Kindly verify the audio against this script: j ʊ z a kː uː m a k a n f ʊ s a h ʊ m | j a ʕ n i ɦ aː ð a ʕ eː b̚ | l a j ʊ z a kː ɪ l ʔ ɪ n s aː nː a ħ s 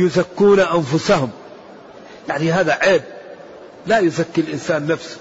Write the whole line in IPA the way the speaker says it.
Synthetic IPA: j ʊ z a kː uː n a ʔ a n f ʊ s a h ʊ m | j a ʕ n i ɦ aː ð a ʕ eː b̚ | l a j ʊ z a kː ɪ l ʔ ɪ n s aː nː a f s